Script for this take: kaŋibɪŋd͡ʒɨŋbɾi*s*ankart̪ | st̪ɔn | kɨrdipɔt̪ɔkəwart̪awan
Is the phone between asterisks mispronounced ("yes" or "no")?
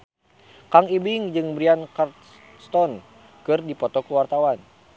yes